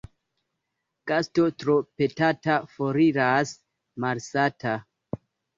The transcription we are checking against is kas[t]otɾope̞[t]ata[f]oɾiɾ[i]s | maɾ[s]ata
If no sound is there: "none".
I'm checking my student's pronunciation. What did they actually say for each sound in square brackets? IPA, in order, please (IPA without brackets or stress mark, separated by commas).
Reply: t, t, f, a, s